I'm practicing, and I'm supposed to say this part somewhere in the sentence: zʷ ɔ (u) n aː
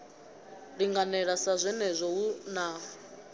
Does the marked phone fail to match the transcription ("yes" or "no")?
no